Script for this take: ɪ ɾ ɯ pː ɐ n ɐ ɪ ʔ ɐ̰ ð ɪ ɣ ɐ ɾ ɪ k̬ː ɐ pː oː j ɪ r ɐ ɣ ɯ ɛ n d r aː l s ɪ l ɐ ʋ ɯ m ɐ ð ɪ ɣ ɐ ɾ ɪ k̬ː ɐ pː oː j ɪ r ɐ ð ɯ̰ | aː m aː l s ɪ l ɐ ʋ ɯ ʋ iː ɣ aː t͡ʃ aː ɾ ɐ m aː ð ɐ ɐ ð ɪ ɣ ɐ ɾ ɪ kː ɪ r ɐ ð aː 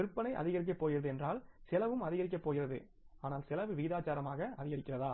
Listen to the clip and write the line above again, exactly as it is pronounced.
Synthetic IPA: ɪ ɾ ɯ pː ɐ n ɐ ɪ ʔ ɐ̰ ð ɪ ɣ ɐ ɾ ɪ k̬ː ɐ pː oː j ɪ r ɐ ð ɯ ɛ n d r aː l s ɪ l ɐ ʋ ɯ m ɐ ð ɪ ɣ ɐ ɾ ɪ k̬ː ɐ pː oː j ɪ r ɐ ð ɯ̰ | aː n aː l s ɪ l ɐ ʋ ɯ ʋ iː ð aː t͡ʃ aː ɾ ɐ m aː ɣ ɐ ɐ ð ɪ ɣ ɐ ɾ ɪ kː ɪ r ɐ ð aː

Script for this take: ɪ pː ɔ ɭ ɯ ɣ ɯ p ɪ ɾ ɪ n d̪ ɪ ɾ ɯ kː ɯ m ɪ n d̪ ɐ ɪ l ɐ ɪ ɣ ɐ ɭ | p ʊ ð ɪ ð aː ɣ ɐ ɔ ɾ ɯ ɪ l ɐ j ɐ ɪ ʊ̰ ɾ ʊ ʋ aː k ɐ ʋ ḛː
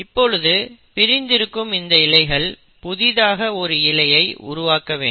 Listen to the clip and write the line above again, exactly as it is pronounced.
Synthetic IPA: ɪ pː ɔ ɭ ɯ ð ɯ p ɪ ɾ ɪ n d̪ ɪ ɾ ɯ kː ɯ m ɪ n d̪ ɐ ɪ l ɐ ɪ ɣ ɐ ɭ | p ʊ ð ɪ ð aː ɣ ɐ ɔ ɾ ɯ ɪ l ɐ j ɐ ɪ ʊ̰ ɾ ʊ ʋ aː k ɐ ʋ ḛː

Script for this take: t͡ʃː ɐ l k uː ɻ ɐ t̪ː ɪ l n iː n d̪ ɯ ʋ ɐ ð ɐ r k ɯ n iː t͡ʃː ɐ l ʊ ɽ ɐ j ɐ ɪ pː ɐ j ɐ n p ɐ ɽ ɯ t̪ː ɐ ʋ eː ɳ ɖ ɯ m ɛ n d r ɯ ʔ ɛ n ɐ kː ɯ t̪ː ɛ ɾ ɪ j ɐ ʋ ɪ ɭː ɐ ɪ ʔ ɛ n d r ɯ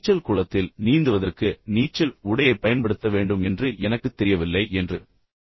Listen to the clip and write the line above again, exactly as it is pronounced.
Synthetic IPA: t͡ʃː ɐ l k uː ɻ ɐ t̪ː ɪ l n iː n d̪ ɯ ʋ ɐ ð ɐ r k ɯ n iː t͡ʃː ɐ l ʊ ɽ ɐ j ɐ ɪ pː ɐ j ɐ n p ɐ ɽ ɯ t̪ː ɐ ʋ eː ɳ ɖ ɯ m ɛ n d r ɯ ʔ ɛ n ɐ kː ɯ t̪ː ɛ ɾ ɪ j ɐ ʋ ɪ lː ɐ ɪ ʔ ɛ n d r ɯ

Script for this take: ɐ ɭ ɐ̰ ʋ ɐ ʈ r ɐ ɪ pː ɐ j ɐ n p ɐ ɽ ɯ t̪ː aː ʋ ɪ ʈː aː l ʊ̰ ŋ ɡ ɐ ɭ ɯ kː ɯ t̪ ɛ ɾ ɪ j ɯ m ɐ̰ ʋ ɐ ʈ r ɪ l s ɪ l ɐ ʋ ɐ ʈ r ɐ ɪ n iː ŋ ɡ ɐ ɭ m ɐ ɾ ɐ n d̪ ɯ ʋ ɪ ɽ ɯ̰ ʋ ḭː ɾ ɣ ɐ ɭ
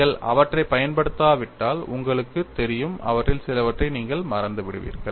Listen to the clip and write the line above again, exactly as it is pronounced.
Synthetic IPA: ɐ ɭ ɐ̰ ʋ ɐ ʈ r ɐ ɪ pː ɐ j ɐ n p ɐ ɽ ɯ t̪ː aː ʋ ɪ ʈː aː l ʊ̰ ŋ ɡ ɐ ɭ ɯ kː ɯ t̪ ɛ ɾ ɪ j ɯ m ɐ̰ ʋ ɐ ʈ r ɪ l s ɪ l ɐ ʋ ɐ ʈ r ɐ ɪ n iː ŋ ɡ ɐ ɭ m ɐ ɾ ɐ n d̪ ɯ ʋ ɪ ɽ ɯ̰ ʋ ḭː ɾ ɣ ɐ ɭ

